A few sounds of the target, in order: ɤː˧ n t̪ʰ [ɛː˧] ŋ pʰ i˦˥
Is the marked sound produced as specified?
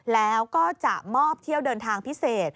no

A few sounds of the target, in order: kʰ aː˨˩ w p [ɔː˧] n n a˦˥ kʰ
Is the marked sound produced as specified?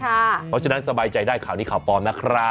yes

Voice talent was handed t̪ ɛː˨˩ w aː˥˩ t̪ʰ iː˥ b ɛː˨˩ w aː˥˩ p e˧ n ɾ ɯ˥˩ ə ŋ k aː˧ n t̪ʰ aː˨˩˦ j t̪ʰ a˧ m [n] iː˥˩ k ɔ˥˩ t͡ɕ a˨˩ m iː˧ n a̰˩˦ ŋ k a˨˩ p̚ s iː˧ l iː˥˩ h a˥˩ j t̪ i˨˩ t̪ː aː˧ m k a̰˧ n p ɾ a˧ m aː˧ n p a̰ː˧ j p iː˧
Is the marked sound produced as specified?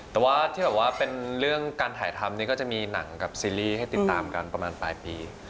yes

